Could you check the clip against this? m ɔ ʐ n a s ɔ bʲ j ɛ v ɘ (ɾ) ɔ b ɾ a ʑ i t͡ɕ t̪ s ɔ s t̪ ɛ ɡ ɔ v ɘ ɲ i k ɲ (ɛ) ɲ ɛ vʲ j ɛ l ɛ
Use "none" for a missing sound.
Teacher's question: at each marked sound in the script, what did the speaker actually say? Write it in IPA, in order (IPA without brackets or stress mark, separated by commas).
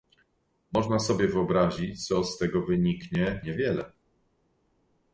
none, ɛ